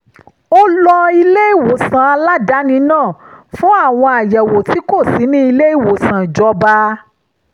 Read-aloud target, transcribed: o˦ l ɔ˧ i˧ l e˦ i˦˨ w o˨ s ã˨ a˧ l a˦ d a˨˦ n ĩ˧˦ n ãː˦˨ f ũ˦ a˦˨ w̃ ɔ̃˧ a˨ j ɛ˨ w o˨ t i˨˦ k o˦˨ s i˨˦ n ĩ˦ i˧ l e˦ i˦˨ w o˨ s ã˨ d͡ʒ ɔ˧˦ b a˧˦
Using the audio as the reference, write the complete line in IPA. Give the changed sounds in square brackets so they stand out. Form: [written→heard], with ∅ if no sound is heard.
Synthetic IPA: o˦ l ɔ˧ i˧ l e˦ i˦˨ w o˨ s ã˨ a˧ l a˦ d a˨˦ n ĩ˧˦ n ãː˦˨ f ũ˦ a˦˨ w̃ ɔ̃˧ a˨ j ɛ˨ w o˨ t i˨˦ k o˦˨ s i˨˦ n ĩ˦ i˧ l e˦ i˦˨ w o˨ s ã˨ d͡ʒ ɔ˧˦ b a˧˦